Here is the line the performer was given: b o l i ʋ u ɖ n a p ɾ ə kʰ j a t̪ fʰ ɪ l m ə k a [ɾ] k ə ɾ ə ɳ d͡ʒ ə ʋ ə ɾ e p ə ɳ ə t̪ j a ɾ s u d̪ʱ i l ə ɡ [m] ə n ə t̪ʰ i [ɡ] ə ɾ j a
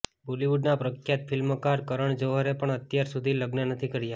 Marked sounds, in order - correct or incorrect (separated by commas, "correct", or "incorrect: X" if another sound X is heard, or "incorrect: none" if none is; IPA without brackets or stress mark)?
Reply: correct, incorrect: n, incorrect: k